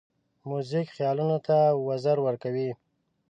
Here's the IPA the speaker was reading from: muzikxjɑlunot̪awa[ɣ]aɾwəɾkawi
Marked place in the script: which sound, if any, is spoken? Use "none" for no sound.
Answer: z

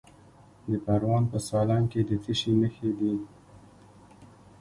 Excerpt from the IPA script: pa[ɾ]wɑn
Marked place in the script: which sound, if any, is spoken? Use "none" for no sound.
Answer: ɾ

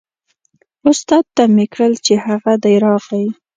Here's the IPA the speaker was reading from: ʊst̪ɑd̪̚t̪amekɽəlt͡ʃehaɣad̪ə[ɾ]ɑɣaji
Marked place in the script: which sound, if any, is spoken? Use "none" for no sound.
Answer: ɾ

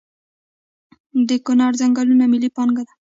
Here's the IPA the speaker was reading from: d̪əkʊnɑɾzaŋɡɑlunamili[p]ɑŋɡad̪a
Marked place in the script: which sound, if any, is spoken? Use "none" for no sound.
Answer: p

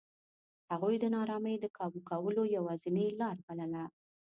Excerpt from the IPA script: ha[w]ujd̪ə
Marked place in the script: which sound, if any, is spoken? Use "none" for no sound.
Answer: ɣ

